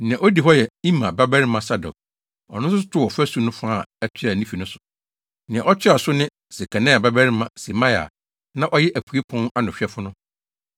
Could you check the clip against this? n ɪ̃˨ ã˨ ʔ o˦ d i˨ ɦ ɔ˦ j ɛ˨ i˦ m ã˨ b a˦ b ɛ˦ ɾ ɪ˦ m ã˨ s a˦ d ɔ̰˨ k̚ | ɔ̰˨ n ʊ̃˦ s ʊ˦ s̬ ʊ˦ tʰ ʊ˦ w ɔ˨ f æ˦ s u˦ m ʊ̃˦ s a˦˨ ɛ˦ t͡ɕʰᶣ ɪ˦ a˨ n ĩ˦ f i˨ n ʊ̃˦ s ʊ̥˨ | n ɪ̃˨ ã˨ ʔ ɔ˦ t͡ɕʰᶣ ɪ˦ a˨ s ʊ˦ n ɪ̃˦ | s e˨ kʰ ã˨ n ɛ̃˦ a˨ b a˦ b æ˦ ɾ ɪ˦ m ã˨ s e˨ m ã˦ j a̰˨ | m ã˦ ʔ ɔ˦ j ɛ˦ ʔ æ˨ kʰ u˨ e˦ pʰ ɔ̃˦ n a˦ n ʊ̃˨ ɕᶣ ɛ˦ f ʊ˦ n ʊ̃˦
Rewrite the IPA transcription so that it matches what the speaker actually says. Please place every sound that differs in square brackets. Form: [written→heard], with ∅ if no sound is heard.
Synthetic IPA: n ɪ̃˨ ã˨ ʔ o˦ d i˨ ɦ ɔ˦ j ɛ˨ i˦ m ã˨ b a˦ b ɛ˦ ɾ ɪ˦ m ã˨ s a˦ d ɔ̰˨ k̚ | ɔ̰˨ n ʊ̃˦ s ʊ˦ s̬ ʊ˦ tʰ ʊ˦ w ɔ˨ f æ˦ s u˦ [m→n] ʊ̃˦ [s→f] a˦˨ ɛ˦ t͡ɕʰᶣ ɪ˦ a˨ n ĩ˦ f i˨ n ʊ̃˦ s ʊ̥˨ | n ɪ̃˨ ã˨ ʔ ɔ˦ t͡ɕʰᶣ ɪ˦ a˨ s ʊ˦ n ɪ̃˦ | s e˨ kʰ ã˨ n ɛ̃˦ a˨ b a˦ b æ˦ ɾ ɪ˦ m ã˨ s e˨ m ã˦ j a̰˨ | [m→n] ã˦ ʔ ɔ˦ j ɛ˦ ʔ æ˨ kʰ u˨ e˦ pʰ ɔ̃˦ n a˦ n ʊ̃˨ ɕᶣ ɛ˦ f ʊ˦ n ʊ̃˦